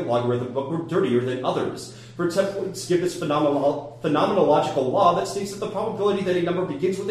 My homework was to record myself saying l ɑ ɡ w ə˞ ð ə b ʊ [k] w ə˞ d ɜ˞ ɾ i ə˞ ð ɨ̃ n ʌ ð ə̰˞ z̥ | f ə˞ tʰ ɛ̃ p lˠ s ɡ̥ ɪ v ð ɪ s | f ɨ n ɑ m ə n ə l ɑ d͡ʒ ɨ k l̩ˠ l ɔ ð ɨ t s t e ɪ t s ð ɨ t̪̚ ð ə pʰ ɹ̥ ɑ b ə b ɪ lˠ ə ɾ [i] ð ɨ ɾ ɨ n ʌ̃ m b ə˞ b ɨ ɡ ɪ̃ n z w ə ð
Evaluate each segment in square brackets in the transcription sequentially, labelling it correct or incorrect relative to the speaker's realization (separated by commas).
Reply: correct, correct